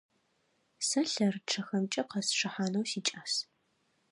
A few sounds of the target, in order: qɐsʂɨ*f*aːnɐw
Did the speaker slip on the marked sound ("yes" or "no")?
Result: yes